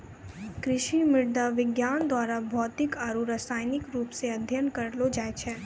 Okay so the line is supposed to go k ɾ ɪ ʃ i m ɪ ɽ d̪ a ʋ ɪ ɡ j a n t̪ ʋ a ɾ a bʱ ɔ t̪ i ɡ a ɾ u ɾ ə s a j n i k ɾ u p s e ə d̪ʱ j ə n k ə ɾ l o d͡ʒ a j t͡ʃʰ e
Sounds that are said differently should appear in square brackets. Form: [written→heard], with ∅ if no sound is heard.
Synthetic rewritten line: k ɾ ɪ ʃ i m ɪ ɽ d̪ a ʋ ɪ ɡ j a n [t̪→d̪] ʋ a ɾ a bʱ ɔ t̪ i [ɡ→k] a ɾ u ɾ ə s a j n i k ɾ u p s e ə d̪ʱ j ə n k ə ɾ l o d͡ʒ a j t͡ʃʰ e